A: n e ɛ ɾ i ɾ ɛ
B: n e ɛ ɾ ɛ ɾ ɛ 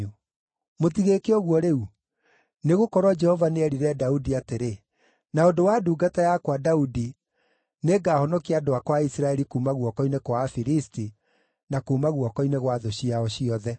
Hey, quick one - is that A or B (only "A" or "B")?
A